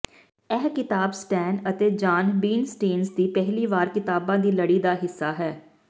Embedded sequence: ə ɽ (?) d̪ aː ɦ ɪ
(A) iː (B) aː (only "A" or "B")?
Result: A